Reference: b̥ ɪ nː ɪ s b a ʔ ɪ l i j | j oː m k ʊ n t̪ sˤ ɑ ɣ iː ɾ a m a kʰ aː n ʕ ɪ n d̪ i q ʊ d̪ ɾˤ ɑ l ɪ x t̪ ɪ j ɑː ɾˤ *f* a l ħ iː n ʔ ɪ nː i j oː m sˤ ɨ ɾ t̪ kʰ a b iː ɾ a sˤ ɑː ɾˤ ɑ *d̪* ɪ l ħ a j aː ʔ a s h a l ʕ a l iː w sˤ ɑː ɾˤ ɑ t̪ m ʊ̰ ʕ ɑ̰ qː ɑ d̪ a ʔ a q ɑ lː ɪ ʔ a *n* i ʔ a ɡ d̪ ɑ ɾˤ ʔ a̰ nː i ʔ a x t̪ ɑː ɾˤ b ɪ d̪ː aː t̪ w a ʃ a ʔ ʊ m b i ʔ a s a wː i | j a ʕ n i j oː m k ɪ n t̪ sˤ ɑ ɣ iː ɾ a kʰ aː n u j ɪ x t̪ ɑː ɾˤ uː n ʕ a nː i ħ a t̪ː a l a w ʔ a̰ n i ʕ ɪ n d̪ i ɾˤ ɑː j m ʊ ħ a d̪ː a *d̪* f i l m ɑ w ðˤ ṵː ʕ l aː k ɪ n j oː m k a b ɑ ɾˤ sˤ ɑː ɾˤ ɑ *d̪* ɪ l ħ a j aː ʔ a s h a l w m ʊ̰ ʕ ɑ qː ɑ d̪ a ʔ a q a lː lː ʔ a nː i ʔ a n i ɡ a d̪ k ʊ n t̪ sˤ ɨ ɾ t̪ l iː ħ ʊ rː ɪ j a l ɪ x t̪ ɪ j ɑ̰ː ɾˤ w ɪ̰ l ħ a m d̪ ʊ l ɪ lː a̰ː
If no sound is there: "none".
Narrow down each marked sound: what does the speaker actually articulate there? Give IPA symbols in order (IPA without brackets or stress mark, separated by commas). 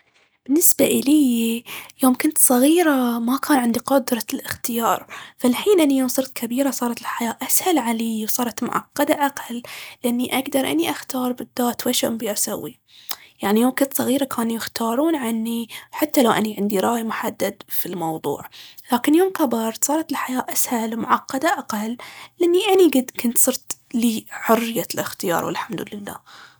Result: f, t̪, nː, d̪, t̪